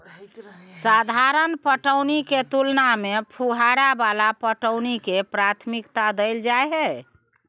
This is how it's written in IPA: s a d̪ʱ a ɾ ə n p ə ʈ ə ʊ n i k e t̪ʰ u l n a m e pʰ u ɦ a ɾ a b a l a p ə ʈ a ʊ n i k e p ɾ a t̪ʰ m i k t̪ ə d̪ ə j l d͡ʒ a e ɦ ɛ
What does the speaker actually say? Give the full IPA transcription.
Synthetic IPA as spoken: s a d̪ʱ a ɾ ə n p ə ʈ ə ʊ n i k e t̪ u l n a m e pʰ u ɦ a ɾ a b a l a p ə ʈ ə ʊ n i k e p ɾ a t̪ʰ m i k t̪ a d̪ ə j l d͡ʒ a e ɦ ɛ